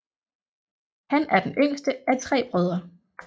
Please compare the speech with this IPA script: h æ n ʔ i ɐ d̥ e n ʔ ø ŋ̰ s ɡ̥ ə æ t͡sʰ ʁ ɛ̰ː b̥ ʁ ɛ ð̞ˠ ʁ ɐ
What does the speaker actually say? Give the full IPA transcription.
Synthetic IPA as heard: h æ n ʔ æ ɐ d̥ e n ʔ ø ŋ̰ s d̥ ə æ t͡sʰ ʁ ɛ̰ː b̥ ʁ œ ð̞ˠ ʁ ɐ